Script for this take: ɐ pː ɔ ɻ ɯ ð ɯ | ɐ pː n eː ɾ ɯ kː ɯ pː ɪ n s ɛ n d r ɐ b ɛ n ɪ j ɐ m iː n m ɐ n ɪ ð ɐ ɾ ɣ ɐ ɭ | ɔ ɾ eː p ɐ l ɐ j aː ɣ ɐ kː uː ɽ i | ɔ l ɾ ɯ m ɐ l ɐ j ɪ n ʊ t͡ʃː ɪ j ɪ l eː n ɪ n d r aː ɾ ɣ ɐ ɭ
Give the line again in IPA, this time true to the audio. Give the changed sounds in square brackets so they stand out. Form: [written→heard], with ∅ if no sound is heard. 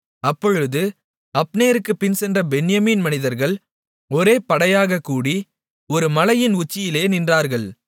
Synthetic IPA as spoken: ɐ pː ɔ ɻ ɯ ð ɯ | ɐ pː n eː ɾ ɯ kː ɯ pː ɪ n s ɛ n d r ɐ b ɛ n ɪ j ɐ m iː n m ɐ n ɪ ð ɐ ɾ ɣ ɐ ɭ | ɔ ɾ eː p ɐ [l→ɽ] ɐ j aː ɣ ɐ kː uː ɽ i | ɔ [l→∅] ɾ ɯ m ɐ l ɐ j ɪ n ʊ t͡ʃː ɪ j ɪ l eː n ɪ n d r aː ɾ ɣ ɐ ɭ